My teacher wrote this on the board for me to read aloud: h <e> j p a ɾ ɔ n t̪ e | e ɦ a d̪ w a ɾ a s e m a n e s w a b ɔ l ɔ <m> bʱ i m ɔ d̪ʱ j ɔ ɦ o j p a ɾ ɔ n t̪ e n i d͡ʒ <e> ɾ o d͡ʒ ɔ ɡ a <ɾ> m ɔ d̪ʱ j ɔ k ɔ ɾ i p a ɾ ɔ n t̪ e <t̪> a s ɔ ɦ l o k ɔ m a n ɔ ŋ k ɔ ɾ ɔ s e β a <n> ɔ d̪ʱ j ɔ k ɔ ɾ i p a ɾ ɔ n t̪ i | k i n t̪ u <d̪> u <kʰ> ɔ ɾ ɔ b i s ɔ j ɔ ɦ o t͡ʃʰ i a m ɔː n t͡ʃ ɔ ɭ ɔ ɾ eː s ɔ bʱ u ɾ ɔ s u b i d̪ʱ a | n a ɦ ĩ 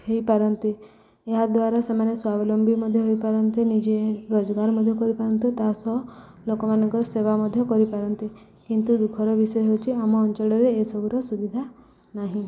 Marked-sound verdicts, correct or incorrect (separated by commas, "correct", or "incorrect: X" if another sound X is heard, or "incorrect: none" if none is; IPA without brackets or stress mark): correct, correct, correct, correct, correct, incorrect: m, correct, correct